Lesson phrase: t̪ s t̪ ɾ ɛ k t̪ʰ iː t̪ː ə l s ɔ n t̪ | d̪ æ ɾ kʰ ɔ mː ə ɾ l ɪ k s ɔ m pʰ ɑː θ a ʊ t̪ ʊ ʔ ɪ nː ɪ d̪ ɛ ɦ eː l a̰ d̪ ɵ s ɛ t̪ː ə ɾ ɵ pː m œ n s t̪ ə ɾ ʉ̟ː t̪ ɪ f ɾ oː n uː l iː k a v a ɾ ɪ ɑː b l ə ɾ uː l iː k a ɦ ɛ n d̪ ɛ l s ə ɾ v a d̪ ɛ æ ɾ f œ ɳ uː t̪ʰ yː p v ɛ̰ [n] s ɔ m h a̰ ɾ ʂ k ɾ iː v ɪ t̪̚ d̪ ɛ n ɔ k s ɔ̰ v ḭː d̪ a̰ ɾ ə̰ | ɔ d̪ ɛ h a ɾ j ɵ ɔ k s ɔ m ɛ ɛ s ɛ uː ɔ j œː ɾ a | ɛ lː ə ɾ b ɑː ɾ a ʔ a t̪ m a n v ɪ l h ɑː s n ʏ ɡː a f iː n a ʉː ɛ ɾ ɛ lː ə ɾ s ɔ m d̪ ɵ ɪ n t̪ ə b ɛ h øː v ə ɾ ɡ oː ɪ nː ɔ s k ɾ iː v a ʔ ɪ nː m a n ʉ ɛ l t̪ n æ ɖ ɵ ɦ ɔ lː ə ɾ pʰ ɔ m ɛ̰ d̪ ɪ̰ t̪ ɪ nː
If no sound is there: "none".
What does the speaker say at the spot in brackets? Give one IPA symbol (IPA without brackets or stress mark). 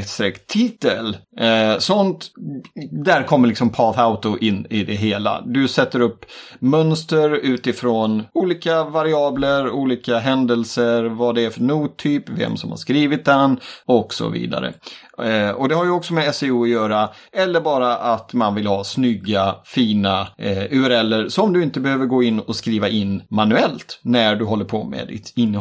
m